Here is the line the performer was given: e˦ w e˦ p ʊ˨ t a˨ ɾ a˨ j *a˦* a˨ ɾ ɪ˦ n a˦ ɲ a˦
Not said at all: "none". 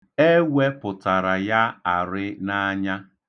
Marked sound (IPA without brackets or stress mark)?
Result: a˦